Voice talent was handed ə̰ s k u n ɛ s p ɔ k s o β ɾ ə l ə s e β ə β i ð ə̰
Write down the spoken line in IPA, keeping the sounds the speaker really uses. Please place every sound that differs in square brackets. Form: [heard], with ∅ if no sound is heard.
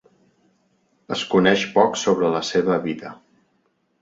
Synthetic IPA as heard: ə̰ s k u n ɛ [ʃ] p ɔ k s o β ɾ ə l ə s e β ə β i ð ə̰